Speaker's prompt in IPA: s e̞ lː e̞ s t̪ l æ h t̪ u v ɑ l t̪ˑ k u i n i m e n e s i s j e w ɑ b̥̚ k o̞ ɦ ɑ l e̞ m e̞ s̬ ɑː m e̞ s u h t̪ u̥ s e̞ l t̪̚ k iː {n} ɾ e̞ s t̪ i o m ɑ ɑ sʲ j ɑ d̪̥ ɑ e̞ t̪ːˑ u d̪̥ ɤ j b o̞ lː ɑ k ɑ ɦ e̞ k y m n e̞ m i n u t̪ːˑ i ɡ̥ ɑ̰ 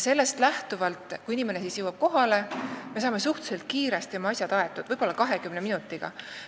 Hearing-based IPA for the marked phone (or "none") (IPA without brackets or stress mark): none